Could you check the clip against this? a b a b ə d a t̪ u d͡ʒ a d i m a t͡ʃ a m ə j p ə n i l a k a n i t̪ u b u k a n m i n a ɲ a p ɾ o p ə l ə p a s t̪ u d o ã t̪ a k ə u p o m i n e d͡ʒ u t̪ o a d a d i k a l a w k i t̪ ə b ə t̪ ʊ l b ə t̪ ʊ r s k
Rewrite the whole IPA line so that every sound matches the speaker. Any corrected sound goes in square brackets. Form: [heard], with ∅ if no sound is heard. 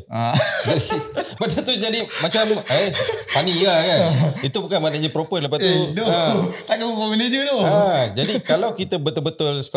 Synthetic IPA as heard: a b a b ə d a t̪ u d͡ʒ a d i m a t͡ʃ a m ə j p [a] n i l a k a n i t̪ u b u k a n m [a] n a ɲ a p ɾ o p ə l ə p a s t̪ u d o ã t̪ a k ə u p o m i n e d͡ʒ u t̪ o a [d͡ʒ] a d i k a l a w k i t̪ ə b ə t̪ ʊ l b ə t̪ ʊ [l] s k